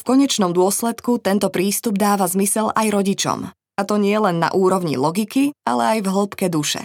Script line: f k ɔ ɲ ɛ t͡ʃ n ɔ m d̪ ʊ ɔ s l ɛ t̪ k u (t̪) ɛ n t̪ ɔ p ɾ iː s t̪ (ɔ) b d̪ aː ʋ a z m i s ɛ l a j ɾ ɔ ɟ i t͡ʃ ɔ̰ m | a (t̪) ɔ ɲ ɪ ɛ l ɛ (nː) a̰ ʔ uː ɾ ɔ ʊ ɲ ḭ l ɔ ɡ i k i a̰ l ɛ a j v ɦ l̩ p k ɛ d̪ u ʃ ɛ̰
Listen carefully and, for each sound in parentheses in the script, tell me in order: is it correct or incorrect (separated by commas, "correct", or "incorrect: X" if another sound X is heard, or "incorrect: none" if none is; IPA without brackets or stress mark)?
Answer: correct, incorrect: u, correct, correct